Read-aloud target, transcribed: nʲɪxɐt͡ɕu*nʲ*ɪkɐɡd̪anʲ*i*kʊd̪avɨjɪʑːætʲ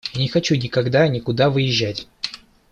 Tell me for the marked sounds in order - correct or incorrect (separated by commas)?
correct, incorrect